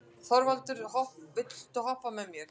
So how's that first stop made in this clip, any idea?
plain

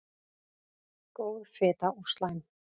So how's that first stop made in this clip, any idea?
plain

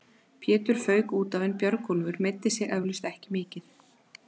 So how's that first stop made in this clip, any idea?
aspirated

